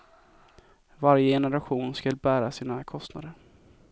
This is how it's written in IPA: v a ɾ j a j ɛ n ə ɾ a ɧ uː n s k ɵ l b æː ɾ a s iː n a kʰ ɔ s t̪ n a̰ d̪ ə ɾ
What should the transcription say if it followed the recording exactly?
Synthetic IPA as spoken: v a ɾ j ə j ɛ n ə ɾ a ɧ uː n s k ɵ l b æː ɾ a s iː n a kʰ ɔ s t̪ n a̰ d̪ ə ɾ